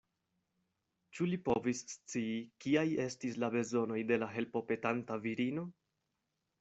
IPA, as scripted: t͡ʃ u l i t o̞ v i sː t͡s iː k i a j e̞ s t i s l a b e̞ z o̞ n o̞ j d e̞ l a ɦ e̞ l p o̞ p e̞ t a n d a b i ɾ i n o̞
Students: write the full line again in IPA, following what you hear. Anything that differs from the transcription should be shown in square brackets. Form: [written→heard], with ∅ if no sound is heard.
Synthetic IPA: t͡ʃ u l i [t→p] o̞ v i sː t͡s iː k i a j e̞ s t i s l a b e̞ z o̞ n o̞ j d e̞ l a ɦ e̞ l p o̞ p e̞ t a n [d→t] a [b→v] i ɾ i n o̞